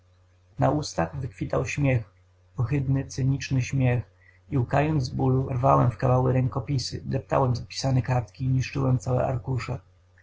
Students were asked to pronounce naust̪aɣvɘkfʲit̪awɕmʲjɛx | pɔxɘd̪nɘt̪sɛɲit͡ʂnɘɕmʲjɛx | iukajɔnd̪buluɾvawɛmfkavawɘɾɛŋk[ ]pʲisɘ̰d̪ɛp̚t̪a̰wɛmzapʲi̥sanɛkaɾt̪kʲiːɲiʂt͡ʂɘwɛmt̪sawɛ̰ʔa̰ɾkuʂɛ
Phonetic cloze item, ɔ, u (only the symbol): ɔ